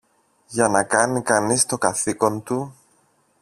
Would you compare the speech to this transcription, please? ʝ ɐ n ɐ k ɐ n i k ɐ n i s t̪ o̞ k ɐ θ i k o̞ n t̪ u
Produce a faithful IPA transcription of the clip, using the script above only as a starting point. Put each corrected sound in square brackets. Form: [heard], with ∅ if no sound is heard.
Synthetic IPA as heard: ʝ ɐ n ɐ k ɐ n i k ɐ n i s t̪ o̞ k ɐ θ i k o̞ n t̪ u